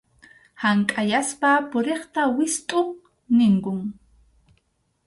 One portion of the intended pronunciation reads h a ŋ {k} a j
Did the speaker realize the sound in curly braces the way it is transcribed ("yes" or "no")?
no